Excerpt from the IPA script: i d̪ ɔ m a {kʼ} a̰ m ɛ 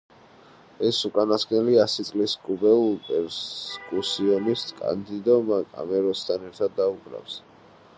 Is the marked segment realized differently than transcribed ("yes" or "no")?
no